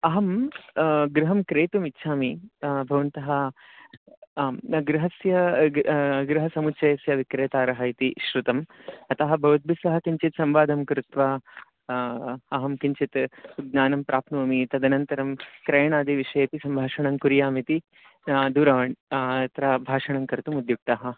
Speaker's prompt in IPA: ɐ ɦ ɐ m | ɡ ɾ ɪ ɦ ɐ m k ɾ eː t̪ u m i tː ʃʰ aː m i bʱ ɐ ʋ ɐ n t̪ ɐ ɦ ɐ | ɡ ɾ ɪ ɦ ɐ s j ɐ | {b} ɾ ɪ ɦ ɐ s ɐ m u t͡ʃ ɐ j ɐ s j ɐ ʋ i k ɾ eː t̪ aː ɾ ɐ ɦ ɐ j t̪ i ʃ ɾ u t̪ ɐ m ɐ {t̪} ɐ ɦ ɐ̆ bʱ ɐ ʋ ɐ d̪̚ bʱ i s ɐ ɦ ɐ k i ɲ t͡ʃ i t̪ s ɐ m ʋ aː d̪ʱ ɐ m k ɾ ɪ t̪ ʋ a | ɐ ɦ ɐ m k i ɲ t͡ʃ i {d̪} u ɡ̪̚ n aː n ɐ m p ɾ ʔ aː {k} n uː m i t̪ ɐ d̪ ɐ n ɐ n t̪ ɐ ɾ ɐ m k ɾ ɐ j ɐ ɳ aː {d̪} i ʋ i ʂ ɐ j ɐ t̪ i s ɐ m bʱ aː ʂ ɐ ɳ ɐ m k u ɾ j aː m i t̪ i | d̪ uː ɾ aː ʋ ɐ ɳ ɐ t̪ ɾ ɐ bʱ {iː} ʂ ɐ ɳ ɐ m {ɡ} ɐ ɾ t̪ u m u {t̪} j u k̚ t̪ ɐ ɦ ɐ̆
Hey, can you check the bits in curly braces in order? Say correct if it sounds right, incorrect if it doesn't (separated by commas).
incorrect, correct, incorrect, incorrect, correct, incorrect, incorrect, incorrect